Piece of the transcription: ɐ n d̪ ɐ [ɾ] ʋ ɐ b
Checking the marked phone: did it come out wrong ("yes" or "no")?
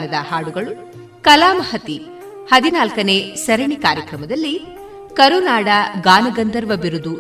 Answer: no